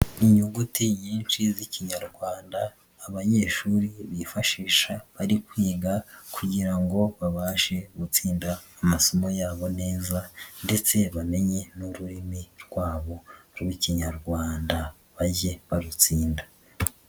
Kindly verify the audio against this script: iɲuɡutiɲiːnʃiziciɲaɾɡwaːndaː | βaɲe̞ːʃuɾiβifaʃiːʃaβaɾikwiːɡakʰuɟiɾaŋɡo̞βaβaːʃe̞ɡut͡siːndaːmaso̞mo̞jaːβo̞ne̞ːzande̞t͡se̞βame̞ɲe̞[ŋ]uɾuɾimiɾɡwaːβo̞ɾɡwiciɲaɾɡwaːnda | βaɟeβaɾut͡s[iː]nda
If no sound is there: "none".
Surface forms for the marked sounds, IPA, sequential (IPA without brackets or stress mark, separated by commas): n, iː